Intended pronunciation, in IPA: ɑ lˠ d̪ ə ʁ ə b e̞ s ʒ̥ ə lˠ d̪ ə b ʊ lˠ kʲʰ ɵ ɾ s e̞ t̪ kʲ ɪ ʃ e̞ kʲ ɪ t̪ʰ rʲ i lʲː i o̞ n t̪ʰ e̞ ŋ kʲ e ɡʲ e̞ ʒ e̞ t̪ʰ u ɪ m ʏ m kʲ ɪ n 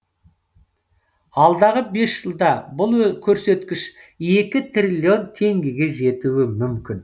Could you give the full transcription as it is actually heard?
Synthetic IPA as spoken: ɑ lˠ d̪ ɑ ʁ ə b e̞ s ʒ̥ ə lˠ d̪ ɑ b ʊ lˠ kʲʰ ɵ ɾ s e̞ t̪ kʲ ɪ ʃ e̞ kʲ ɪ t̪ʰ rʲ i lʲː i o̞ n t̪ʰ e̞ ŋ ɡʲ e ɡʲ e̞ ʒ e̞ t̪ u ɪ m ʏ m kʲ ɪ n

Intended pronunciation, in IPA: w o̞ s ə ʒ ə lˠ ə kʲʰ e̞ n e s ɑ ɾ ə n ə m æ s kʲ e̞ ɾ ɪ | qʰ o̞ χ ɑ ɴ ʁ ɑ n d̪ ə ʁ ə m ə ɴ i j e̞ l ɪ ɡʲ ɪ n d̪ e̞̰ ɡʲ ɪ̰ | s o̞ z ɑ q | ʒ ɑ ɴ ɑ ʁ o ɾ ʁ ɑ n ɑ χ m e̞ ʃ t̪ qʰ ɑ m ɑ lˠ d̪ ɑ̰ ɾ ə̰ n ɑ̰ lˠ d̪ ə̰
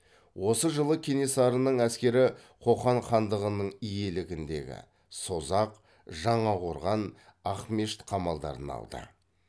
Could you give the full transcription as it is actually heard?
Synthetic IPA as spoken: w o̞ s ə ʒ ə lˠ ə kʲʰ e̞ n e s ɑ ɾ ə n ə ɴ æ s kʲ e̞ ɾ ɪ | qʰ o̞ χ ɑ ɴ χ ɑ n d̪ ə ʁ ə n ə ɴ i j e̞ l ɪ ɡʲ ɪ n d̪ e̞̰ ɡʲ ɪ̰ | s o̞ z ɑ q | ʒ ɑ ɴ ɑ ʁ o ɾ ʁ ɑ n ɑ χ m e̞ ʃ t̪ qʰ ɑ m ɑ lˠ d̪ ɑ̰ ɾ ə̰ n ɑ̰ lˠ d̪ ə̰

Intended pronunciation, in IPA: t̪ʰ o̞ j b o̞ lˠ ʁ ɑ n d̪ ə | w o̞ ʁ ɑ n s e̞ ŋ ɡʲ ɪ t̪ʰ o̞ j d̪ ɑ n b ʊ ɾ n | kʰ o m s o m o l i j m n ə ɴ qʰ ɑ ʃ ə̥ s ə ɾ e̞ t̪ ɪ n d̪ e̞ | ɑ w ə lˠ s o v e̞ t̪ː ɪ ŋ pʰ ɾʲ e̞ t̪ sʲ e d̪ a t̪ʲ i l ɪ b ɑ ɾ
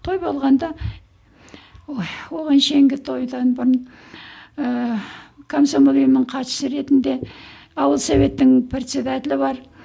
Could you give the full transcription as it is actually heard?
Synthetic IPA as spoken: t̪ʰ o̞ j b o̞ lˠ ʁ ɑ n d̪ ɑ | w o̞ ʁ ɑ n ʃ e̞ ŋ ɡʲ ɪ t̪ʰ o̞ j d̪ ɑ n b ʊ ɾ n | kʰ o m s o m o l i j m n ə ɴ qʰ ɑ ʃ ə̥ s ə ɾ e̞ t̪ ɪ n d̪ e̞ | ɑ w ə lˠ s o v e̞ t̪ː ɪ ŋ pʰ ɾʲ e̞ t̪ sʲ e d̪ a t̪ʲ ɪ l ɪ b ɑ ɾ

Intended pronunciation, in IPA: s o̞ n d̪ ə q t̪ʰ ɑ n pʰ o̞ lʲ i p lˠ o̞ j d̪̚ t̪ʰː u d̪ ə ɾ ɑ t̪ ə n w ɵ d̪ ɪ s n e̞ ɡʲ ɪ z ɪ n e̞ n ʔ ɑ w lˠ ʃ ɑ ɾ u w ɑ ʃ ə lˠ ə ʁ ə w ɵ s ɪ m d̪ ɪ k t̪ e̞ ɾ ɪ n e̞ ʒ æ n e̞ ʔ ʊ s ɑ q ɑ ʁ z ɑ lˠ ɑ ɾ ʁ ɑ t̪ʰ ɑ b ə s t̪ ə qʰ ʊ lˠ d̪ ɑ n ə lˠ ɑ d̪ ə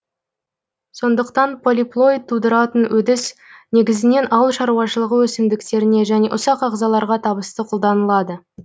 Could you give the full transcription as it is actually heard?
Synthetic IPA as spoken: s o̞ n d̪ ə q t̪ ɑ n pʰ o̞ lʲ i p lˠ o̞ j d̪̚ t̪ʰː u d̪ ə ɾ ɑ t̪ ə n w ɵ d̪ ɪ s n e̞ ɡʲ ɪ z ɪ n e̞ n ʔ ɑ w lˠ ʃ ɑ ɾ u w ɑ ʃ ə lˠ ə ʁ ə w ɵ s ɪ m d̪ ɪ k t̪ e̞ ɾ ɪ n e̞ ʒ æ n e̞ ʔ ʊ s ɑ q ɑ ʁ z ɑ lˠ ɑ ɾ ʁ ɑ t̪ʰ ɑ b ə s t̪ ə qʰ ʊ lˠ d̪ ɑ n ə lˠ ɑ d̪ ə

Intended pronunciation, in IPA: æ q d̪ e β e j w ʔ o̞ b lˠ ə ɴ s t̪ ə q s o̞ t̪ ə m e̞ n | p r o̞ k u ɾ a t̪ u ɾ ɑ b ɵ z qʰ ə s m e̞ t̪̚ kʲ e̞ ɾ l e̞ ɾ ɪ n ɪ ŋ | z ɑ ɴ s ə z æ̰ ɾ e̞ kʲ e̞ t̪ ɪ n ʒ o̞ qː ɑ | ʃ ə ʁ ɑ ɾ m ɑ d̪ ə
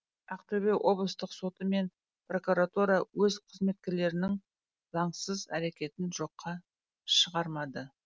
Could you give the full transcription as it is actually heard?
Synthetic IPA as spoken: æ q t̪ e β e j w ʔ o̞ b lˠ ə s t̪ ə q s o̞ t̪ ə m e̞ n | p r o̞ k u ɾ a t̪ u ɾ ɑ w ɵ z qʰ ə z m e̞ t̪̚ kʲ e̞ ɾ l e̞ ɾ ɪ n ɪ ŋ | z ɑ ɴ s ə z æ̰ ɾ e̞ kʲ e̞ t̪ ɪ n ʒ o̞ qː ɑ | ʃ ə ʁ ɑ ɾ m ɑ d̪ ə

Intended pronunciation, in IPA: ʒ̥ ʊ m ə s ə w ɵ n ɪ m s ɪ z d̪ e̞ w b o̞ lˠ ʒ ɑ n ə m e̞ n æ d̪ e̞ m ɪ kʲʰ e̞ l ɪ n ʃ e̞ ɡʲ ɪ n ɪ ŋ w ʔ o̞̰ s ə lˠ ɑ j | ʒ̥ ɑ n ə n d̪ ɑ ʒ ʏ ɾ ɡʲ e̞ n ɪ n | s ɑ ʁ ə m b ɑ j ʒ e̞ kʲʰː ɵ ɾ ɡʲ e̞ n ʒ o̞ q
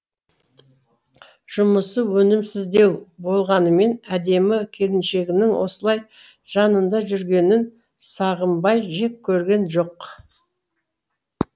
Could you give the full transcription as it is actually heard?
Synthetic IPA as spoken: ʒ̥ ʊ m ə s ə w ɵ n ɪ m s ɪ z d̪ e̞ w b o̞ lˠ ʁ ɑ n ə m e̞ n æ d̪ e̞ m ɪ kʲʰ e̞ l ɪ n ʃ e̞ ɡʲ ɪ n ɪ ŋ w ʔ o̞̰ s ə lˠ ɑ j | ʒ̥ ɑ n ə n d̪ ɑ ʒ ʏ ɾ ɡʲ e̞ n ɪ n | s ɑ ʁ ə m b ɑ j ʒ e̞ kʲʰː ɵ ɾ ɡʲ e̞ n ʒ o̞ q

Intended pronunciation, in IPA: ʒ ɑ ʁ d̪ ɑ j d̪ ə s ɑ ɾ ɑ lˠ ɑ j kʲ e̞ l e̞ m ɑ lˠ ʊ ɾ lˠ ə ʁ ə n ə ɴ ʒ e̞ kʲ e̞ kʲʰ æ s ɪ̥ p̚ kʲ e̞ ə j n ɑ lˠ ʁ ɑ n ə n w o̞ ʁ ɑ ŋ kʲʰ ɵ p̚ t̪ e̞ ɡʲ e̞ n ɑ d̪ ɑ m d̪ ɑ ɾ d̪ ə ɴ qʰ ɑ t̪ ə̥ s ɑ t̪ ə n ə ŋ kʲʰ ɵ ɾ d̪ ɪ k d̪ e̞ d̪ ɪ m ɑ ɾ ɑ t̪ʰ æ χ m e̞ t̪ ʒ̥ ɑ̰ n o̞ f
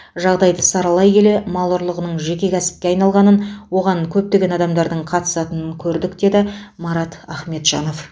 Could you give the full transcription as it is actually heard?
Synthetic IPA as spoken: ʒ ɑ ʁ d̪ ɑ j d̪ ə s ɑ ɾ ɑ lˠ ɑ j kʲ e̞ l e̞ m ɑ lˠ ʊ ɾ lˠ ə ʁ ə n ə ɴ ʒ e̞ kʲ e̞ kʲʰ æ s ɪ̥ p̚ kʲ e̞ ɑ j n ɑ lˠ ʁ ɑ n ə n w o̞ ʁ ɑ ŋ kʲʰ ɵ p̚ t̪ e̞ ɡʲ e̞ n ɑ d̪ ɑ m d̪ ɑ ɾ d̪ ə ɴ qʰ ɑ t̪ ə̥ s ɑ t̪ ə n ə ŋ kʲʰ ɵ ɾ d̪ ɪ k d̪ e̞ d̪ ɪ m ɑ ɾ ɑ t̪ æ χ m e̞ t̪ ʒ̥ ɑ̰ n o̞ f

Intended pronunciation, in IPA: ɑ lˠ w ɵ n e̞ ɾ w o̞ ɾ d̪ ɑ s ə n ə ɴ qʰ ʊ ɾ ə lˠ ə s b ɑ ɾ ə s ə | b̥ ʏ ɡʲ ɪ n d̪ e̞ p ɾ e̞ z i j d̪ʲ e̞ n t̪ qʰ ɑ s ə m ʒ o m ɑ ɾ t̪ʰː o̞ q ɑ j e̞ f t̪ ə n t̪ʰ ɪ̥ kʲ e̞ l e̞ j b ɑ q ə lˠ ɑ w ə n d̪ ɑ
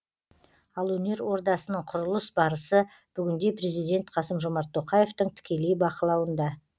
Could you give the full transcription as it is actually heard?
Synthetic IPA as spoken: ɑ lˠ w ɵ n e̞ ɾ w o̞ ɾ d̪ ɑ s ə n ə ɴ qʰ ʊ ɾ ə lˠ ə s b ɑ ɾ ə s ə | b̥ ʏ ɡʲ ɪ n d̪ e̞ p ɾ e̞ z i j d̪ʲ e̞ n t̪ qʰ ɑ s ə m ʒ o m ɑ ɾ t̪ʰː o̞ q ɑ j e̞ f t̪ ə ɴ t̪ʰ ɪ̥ kʲ e̞ l e̞ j b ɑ q ə lˠ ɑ w ə n d̪ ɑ

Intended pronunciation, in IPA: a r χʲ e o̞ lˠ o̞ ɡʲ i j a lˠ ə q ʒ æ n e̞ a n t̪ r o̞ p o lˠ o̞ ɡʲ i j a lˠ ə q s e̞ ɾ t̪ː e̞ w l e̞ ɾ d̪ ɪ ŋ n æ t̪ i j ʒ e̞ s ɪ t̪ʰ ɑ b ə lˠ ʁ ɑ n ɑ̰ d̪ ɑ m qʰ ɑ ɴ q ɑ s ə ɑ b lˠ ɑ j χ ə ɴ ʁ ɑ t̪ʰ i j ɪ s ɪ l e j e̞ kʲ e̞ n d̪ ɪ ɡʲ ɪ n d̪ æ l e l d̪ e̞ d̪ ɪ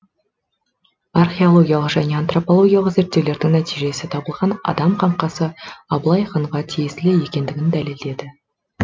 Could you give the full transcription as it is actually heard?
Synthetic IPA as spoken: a r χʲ e o̞ lˠ o̞ ɡʲ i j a lˠ ə q ʒ æ n e̞ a n t̪ r o̞ p o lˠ o̞ ɡʲ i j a lˠ ə q z e̞ ɾ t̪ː e̞ w l e̞ ɾ d̪ ɪ ŋ n æ t̪ i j ʒ e̞ s ɪ t̪ʰ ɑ b ə lˠ ʁ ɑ n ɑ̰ d̪ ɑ m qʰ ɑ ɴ q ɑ s ə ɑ b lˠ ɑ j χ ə ɴ ʁ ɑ t̪ʰ i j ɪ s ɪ l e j e̞ kʲ e̞ n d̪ ɪ ɡʲ ɪ n d̪ æ l e l d̪ e̞ d̪ ɪ

